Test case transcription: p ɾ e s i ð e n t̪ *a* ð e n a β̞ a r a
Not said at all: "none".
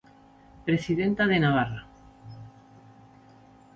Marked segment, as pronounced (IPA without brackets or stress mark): a